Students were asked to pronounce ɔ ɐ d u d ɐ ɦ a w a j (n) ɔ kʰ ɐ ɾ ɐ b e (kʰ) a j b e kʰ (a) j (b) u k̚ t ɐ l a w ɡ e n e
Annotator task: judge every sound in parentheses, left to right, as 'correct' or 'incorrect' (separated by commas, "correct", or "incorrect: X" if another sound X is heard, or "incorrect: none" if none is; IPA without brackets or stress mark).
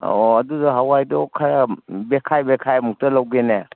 incorrect: d, correct, correct, incorrect: m